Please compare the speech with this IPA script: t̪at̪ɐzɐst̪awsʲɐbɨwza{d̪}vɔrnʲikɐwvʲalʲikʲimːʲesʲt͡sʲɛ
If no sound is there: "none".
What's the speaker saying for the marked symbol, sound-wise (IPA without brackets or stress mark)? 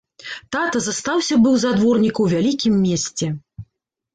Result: d̪